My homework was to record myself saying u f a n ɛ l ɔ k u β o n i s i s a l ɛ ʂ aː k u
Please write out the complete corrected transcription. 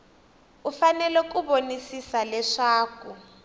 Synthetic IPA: u f a n ɛ l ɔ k u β o n i s i s a l ɛ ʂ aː k u